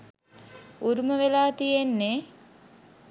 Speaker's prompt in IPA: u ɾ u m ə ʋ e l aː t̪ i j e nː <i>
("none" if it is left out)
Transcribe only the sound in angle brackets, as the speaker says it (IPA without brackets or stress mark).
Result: e